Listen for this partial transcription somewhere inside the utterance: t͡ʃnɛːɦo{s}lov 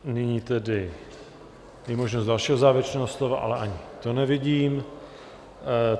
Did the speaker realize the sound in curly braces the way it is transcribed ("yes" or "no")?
yes